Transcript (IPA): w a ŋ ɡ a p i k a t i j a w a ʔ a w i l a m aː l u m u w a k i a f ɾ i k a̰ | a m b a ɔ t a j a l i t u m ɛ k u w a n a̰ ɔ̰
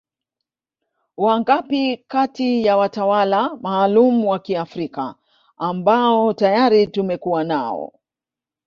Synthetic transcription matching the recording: w a ŋ ɡ a p i k a t i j a w a t a w a l a m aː l u m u w a k i a f ɾ i k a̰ | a m b a ɔ t a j a ɾ i t u m ɛ k u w a n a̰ ɔ̰

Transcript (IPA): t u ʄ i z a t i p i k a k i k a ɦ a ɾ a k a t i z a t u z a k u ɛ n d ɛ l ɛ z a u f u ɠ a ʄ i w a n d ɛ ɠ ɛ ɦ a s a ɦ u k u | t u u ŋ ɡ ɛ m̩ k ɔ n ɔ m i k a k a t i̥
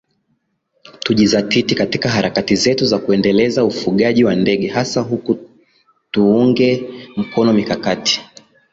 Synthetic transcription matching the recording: t u ʄ i z a t i t i k a t i k a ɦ a ɾ a k a t i z ɛ t u z a k u ɛ n d ɛ l ɛ z a u f u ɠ a ʄ i w a n d ɛ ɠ ɛ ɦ a s a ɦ u k u | t u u ŋ ɡ ɛ m̩ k ɔ n ɔ m i k a k a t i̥

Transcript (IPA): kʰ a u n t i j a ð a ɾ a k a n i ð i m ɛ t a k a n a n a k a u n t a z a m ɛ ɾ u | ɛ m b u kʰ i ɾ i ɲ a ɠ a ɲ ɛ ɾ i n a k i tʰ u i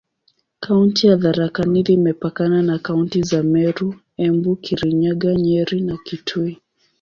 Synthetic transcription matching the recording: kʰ a u n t i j a ð a ɾ a k a n i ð i m ɛ p a k a n a n a k a u n t i z a m ɛ ɾ u | ɛ m b u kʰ i ɾ i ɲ a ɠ a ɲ ɛ ɾ i n a k i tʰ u i

